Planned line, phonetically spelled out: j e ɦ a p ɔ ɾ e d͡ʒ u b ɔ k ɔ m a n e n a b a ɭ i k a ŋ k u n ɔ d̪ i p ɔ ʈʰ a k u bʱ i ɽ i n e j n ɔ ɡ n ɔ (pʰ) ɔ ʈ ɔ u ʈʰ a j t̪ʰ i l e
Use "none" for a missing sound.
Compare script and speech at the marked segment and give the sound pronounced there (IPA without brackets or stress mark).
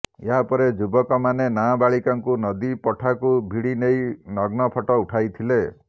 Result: pʰ